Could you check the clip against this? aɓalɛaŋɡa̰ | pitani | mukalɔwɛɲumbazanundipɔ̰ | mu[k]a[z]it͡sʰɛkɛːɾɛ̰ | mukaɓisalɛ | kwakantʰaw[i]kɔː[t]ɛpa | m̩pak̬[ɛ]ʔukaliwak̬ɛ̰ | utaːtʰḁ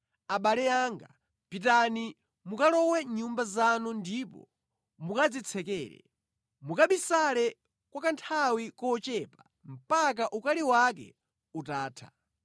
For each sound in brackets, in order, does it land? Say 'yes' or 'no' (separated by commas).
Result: yes, no, yes, no, no